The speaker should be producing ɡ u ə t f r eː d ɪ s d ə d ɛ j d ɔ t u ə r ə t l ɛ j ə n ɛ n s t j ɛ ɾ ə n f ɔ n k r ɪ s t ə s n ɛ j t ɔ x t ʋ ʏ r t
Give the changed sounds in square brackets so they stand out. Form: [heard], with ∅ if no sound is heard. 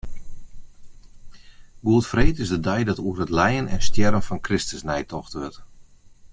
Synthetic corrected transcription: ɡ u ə t f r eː [t] ɪ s d ə d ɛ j d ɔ t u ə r ə t l ɛ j ə n ɛ n s t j ɛ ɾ ə n f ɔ n k r ɪ s t ə s n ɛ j t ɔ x t ʋ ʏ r t

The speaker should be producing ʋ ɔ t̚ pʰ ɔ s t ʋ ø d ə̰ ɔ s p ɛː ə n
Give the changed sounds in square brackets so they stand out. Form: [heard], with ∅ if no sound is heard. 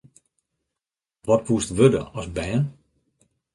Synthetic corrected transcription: ʋ ɔ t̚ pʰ [u] s t ʋ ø d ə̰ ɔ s [b] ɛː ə n

